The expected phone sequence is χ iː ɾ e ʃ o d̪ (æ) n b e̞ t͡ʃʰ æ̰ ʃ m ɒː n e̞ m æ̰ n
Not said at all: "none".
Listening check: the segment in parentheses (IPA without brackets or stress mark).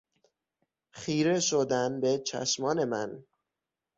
æ